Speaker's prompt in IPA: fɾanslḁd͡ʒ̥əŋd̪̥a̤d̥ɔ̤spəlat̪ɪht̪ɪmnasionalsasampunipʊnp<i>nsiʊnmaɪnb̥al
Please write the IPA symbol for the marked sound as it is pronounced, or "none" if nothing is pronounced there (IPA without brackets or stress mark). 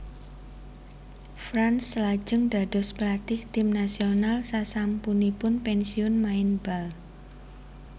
ɛ